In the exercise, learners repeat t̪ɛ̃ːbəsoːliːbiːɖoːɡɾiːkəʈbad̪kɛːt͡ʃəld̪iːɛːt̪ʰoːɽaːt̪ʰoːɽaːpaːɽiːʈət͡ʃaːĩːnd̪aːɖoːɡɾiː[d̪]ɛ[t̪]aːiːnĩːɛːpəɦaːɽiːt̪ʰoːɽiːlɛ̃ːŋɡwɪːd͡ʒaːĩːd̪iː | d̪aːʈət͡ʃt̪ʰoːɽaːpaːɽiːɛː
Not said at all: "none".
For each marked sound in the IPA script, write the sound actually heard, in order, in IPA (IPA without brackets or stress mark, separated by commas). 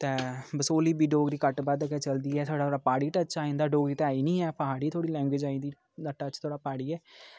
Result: t̪, none